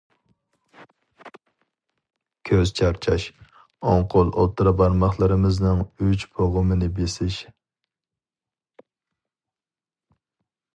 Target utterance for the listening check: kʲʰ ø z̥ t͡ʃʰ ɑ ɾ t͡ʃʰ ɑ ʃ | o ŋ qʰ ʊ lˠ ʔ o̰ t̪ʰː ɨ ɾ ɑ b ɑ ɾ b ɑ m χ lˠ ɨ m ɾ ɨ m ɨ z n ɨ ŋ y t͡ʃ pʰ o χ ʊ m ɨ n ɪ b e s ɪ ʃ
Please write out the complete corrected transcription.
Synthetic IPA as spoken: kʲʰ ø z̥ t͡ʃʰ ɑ ɾ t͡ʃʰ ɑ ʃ | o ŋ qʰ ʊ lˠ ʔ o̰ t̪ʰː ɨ ɾ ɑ b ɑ ɾ m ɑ χ lˠ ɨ ɾ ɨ m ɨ z n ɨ ŋ y t͡ʃ pʰ o ʁ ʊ m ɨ n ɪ b e s ɪ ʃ

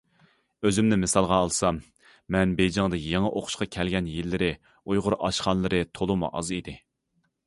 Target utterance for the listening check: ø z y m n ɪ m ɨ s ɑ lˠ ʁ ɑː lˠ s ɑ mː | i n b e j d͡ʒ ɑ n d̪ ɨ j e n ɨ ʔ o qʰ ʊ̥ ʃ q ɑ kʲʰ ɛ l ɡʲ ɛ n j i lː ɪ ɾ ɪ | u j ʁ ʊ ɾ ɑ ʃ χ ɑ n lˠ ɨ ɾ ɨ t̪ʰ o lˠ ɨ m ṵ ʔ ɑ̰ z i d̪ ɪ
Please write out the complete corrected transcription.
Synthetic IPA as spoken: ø z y m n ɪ m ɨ s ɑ lˠ ʁ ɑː lˠ s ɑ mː | ɛ n b e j d͡ʒ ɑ ŋ d̪ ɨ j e ŋ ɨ ʔ o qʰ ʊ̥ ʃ q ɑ kʲʰ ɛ l ɡʲ ɛ n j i lː ɪ ɾ ɪ | u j ʁ ʊ ɾ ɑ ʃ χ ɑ n lˠ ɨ ɾ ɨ t̪ʰ o lˠ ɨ m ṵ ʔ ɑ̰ z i d̪ ɪ

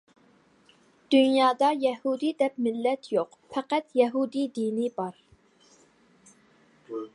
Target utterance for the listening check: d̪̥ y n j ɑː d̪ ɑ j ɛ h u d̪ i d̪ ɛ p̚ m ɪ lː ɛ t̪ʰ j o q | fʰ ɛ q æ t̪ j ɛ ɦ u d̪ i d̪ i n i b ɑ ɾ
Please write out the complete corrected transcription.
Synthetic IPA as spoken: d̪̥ y n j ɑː d̪ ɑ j ɛ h u d̪ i d̪ ɛ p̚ m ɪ lː ɛ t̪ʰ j o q | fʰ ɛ q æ t̪ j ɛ ɦ u d̪ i d̪ i n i b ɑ ɾ

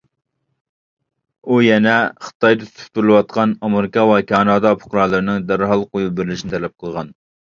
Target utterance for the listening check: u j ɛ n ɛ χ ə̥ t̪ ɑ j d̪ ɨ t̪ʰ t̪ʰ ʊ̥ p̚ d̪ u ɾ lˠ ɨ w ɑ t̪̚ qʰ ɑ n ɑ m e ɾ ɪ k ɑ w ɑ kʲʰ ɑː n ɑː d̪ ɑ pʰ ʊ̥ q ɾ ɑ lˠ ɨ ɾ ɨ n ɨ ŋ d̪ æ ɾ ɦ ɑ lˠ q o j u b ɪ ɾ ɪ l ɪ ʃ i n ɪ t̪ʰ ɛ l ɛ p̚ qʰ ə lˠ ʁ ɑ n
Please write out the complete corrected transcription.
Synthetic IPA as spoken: u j ɛ n ɛ χ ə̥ t̪ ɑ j d̪ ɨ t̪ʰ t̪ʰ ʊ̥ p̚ t̪ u ɾ lˠ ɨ w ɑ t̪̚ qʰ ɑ n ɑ m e ɾ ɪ k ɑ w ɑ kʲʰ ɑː n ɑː d̪ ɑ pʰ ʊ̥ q ɾ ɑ lˠ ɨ ɾ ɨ n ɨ ŋ d̪ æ ɾ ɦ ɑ lˠ q o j u b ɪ ɾ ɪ l ɪ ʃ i n ɪ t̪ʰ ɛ l ɛ p̚ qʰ ə lˠ ʁ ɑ n

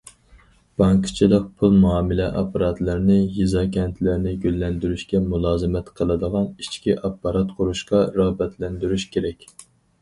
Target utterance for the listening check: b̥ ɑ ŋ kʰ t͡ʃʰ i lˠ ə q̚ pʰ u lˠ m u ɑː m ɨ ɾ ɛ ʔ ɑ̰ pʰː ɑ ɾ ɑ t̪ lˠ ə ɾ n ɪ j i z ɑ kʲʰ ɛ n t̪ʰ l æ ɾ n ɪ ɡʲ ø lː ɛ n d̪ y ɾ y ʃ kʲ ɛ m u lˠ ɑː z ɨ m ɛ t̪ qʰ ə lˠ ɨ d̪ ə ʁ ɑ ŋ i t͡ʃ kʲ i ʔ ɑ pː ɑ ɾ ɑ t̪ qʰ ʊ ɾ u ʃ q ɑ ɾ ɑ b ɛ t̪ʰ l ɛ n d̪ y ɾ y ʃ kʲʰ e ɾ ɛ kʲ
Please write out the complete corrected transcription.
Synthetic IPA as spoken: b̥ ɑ ŋ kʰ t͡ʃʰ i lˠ ə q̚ pʰ u lˠ m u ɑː m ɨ l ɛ ʔ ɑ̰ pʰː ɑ ɾ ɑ t̪ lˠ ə ɾ n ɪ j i z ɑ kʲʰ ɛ n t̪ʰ l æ ɾ n ɪ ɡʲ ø lː ɛ n d̪ y ɾ y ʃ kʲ ɛ m u lˠ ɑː z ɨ m ɛ t̪ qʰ ə lˠ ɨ d̪ ə ʁ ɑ n i t͡ʃ kʲ i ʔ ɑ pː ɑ ɾ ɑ t̪ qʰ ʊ ɾ u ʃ q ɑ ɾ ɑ b ɛ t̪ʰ l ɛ n d̪ y ɾ y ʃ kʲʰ e ɾ ɛ kʲ

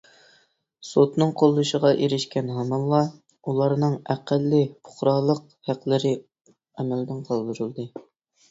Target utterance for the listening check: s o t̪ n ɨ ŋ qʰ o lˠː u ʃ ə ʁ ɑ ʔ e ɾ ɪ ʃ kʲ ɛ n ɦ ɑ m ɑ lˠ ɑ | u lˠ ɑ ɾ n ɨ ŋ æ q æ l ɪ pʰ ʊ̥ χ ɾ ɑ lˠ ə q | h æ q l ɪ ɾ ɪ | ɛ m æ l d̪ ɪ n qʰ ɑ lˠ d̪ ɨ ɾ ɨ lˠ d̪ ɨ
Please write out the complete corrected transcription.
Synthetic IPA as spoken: s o t̪ n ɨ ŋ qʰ o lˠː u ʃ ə ʁ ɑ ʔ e ɾ ɪ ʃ kʲ ɛ n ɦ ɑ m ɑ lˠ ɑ | u lˠ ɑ ɾ n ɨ ŋ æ q æ lː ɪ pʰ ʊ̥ χ ɾ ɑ lˠ ə q | h æ q l ɪ ɾ ɪ | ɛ m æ l d̪ ɪ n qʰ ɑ lˠ d̪ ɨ ɾ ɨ lˠ d̪ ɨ

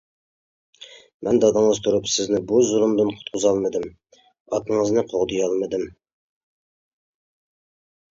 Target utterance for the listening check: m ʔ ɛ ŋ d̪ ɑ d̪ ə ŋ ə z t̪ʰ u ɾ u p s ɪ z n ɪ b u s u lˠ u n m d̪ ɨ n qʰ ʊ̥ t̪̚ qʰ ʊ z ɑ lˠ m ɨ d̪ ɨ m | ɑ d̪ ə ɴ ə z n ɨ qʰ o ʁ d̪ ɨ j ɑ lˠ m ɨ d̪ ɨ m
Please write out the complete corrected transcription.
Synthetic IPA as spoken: m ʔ ɛ n d̪ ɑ d̪ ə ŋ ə z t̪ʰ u ɾ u p s ɪ z n ɪ b u z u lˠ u m d̪ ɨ n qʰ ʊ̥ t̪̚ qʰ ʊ z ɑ lˠ m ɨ d̪ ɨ m | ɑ t̪ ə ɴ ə z n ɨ qʰ o ʁ d̪ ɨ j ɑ lˠ m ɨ d̪ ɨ m

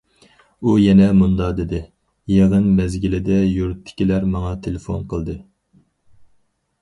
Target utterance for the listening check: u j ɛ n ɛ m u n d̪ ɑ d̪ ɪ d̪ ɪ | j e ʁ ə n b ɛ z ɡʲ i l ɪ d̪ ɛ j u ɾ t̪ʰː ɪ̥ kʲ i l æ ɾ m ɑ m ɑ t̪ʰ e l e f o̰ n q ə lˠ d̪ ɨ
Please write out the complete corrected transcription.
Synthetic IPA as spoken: u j ɛ n ɛ m u n d̪ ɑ d̪ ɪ d̪ ɪ | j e ʁ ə n b ɛ z ɡʲ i l ɪ d̪ ɛ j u ɾ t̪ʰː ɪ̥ kʲ i l æ ɾ m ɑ ŋ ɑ t̪ʰ e l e f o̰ n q ə lˠ d̪ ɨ

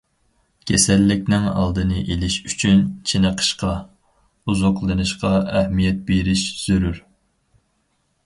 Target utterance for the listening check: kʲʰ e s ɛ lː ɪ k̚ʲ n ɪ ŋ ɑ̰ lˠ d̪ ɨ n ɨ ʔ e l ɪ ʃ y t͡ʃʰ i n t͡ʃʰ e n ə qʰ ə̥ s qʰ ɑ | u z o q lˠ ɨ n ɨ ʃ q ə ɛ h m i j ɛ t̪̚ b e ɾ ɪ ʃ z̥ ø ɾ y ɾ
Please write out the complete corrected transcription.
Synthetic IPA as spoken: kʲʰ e s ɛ lː ɪ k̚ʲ n ɪ ŋ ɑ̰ lˠ d̪ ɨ n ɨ ʔ e l ɪ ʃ y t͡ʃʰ y n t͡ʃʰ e n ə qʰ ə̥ ʃ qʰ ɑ | u z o q lˠ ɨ n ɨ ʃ q ɑ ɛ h m i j ɛ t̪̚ b e ɾ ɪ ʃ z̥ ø ɾ y ɾ

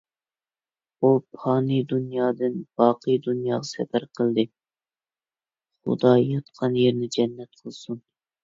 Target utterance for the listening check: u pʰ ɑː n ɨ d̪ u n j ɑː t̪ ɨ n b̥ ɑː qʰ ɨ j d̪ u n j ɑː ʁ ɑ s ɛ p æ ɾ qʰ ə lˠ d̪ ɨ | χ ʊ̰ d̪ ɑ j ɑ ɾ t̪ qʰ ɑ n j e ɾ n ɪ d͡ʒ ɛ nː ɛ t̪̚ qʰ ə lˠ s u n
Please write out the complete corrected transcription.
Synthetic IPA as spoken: u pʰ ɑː n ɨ d̪ u n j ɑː d̪ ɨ n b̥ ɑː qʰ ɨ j d̪ u n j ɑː ʁ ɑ s ɛ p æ ɾ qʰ ə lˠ d̪ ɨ | χ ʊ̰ d̪ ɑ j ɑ t̪ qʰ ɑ n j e ɾ n ɪ d͡ʒ ɛ nː ɛ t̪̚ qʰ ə lˠ s u n

